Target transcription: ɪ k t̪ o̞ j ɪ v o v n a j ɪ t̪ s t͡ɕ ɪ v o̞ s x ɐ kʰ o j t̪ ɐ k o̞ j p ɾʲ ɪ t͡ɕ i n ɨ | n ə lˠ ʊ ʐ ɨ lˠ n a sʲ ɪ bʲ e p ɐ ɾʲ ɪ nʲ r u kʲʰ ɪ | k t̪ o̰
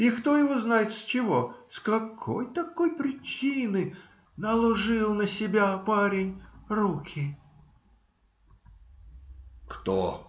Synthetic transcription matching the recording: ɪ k t̪ o̞ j ɪ v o z n a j ɪ t̪ s t͡ɕ ɪ v o̞ s k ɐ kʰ o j t̪ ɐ k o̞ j p ɾʲ ɪ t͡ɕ i n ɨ | n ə lˠ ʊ ʐ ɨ lˠ n ə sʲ ɪ bʲ a p a ɾʲ ɪ nʲ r u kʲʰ ɪ | k t̪ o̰